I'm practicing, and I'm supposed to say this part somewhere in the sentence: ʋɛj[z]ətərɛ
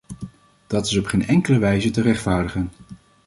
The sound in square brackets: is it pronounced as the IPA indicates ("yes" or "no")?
yes